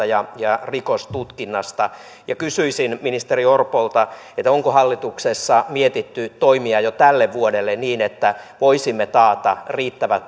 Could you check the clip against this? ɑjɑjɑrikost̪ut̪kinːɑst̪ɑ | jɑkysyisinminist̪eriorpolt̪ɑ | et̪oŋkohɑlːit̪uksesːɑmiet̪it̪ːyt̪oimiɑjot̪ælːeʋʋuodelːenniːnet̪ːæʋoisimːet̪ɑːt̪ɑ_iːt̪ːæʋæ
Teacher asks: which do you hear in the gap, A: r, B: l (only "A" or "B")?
A